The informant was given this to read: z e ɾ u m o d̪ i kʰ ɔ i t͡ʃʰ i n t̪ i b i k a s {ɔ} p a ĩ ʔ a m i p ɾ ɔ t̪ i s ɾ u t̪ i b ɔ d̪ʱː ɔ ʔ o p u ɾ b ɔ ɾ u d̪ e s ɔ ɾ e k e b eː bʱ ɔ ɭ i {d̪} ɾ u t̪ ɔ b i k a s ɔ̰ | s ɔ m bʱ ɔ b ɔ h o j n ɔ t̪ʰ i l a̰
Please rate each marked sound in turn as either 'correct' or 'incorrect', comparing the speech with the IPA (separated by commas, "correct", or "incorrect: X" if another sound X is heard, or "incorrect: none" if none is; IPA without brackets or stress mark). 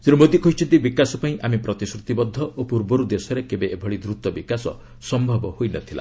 correct, correct